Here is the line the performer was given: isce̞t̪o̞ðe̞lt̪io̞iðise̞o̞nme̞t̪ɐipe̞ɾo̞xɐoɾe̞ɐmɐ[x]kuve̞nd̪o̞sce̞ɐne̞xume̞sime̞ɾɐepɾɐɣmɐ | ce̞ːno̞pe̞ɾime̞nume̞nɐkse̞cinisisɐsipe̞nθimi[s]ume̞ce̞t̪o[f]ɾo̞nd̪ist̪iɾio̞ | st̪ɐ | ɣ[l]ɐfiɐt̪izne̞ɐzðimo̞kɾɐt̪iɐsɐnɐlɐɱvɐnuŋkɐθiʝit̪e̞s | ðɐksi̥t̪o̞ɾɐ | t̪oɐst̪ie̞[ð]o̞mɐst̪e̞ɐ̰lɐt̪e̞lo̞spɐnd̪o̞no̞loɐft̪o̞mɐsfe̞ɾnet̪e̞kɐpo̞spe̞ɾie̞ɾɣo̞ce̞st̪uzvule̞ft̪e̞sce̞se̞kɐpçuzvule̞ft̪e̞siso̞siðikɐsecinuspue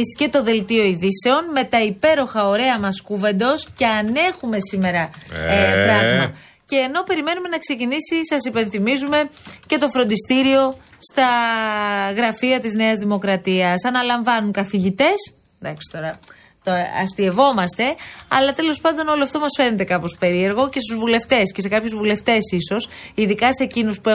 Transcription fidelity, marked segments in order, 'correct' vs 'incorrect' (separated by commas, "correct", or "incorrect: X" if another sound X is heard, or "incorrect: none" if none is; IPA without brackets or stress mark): incorrect: s, incorrect: z, correct, incorrect: ɾ, incorrect: v